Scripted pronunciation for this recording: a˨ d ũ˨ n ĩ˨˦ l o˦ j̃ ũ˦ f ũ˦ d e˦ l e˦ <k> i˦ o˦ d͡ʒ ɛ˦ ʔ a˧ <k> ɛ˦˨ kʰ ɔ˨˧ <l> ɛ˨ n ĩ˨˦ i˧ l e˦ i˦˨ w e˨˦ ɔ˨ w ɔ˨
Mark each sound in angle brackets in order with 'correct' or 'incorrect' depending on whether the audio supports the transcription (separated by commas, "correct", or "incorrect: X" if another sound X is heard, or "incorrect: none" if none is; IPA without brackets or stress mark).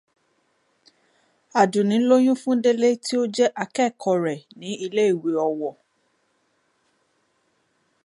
incorrect: t, correct, incorrect: ɾ